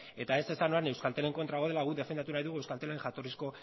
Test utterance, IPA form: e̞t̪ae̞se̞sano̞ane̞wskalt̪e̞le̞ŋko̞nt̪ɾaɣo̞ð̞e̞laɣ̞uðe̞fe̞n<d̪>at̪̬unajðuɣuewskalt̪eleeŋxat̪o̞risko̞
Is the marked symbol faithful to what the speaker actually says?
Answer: yes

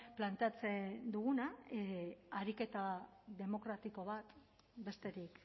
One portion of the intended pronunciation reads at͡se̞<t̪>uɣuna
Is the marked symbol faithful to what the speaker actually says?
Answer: no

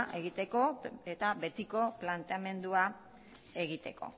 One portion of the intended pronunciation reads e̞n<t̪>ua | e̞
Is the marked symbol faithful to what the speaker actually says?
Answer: no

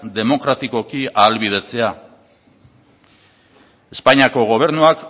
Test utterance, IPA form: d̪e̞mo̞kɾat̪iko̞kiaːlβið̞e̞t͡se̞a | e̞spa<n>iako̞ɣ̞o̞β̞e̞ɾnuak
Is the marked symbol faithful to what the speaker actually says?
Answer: no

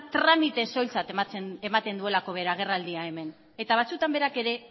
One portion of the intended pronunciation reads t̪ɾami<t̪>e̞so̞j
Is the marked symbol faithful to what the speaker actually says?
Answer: yes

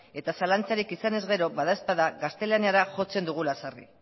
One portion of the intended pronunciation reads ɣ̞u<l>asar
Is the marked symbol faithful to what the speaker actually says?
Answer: yes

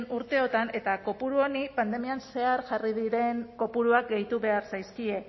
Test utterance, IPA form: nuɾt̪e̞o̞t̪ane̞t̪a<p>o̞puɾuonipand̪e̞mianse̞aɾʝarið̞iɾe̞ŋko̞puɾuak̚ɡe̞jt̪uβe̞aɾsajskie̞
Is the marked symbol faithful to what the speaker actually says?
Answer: no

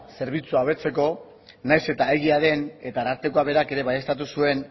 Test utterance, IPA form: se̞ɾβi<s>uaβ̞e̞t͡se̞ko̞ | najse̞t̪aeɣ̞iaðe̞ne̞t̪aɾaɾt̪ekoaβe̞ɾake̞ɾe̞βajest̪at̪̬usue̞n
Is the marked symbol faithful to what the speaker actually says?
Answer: no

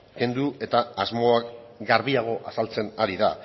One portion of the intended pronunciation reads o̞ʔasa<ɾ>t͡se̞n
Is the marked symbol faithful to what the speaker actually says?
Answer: no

